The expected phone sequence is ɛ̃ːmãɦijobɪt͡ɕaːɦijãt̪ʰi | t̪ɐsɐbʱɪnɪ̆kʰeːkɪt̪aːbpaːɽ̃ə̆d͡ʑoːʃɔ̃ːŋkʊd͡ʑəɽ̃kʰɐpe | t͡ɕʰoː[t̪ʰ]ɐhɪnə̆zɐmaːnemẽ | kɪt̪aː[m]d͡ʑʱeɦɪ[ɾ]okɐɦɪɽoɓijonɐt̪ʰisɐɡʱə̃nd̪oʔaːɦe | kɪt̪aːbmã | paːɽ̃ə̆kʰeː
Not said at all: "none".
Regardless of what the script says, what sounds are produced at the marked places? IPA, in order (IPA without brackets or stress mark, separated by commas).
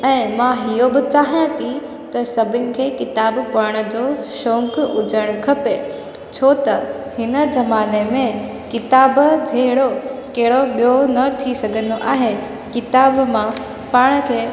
t̪, b, ɽ